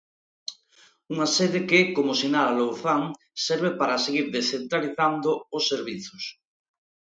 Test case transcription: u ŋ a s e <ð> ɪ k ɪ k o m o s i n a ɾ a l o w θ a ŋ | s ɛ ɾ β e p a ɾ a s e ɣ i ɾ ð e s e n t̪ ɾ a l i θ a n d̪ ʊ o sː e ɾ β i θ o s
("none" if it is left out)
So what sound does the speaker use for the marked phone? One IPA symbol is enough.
ð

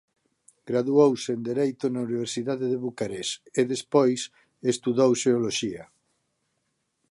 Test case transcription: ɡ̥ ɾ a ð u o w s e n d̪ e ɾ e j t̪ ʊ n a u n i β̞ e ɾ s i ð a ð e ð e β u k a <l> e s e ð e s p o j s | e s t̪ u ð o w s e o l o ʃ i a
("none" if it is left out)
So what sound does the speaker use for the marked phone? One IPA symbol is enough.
ɾ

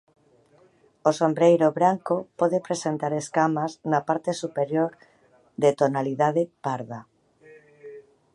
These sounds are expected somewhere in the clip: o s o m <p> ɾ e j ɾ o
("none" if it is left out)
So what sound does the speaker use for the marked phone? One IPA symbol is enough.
b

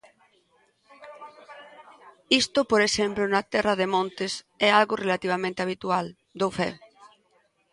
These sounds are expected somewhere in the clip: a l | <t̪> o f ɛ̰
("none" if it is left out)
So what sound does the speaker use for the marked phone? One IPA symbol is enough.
d̪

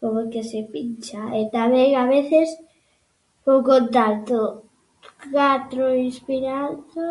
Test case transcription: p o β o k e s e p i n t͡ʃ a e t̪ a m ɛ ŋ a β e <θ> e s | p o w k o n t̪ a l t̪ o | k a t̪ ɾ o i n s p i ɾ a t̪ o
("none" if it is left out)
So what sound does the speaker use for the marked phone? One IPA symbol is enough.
θ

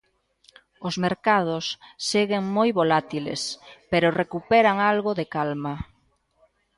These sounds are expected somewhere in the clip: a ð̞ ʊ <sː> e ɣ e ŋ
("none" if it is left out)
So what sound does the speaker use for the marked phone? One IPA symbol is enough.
sː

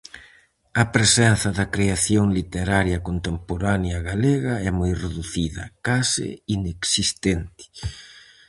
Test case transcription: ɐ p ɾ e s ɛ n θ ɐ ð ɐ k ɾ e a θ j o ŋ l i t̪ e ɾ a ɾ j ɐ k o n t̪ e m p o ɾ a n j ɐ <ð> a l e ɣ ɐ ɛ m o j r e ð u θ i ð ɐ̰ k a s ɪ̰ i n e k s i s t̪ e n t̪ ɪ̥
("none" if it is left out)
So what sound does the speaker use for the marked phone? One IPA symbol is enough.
ɣ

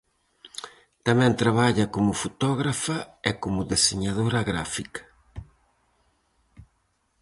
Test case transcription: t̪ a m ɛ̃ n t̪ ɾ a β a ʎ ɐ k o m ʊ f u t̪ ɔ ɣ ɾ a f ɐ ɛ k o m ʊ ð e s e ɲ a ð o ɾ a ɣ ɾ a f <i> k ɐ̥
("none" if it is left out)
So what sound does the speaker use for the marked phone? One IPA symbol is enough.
i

